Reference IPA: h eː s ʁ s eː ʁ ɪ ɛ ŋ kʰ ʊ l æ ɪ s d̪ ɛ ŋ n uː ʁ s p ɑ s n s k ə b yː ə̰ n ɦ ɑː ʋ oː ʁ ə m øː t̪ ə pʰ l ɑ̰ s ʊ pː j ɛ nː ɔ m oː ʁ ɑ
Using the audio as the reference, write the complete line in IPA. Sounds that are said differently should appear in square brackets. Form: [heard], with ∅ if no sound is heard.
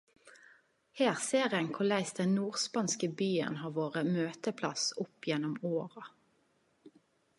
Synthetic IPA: h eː [∅] ʁ s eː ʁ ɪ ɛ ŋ kʰ ʊ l æ ɪ s d̪ ɛ [n] n uː ʁ s p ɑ [∅] n s k ə b yː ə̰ n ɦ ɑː ʋ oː ʁ ə m øː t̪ ə pʰ l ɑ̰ s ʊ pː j ɛ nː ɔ m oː ʁ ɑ